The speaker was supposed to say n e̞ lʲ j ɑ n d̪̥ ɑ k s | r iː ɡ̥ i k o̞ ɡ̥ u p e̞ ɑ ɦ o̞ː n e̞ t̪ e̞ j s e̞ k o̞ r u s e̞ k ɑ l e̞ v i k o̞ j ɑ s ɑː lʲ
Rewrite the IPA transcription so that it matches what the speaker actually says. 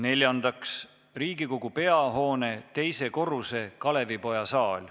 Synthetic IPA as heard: n e̞ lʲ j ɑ n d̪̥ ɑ k s | r iː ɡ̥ i k o̞ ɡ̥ u p e̞ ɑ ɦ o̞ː n e̞ t̪ e̞ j s e̞ k o̞ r u s e̞ k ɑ l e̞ v i p o̞ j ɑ s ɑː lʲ